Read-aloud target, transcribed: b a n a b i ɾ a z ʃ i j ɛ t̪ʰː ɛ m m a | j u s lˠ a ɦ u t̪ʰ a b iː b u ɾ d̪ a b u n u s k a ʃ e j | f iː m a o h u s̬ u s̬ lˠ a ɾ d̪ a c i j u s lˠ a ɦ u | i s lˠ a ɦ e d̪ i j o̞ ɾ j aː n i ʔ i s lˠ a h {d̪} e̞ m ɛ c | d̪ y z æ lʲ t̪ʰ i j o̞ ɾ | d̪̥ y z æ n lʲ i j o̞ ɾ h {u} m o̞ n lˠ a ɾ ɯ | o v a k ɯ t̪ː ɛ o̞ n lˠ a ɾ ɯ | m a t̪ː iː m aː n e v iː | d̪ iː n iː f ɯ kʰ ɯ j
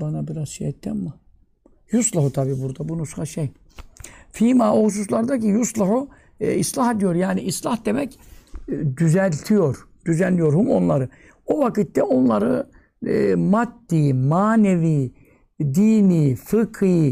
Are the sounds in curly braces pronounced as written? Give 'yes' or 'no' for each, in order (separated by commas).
yes, yes